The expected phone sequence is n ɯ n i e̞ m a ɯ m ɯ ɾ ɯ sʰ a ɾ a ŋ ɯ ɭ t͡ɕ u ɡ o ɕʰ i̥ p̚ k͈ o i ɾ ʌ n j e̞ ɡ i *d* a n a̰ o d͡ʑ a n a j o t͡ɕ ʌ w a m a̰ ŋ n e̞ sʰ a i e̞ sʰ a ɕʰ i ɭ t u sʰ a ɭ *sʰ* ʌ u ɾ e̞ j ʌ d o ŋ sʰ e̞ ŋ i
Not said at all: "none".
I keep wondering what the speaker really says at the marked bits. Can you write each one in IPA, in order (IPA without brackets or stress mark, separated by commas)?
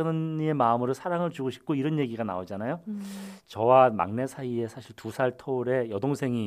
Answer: ɡ, tʰ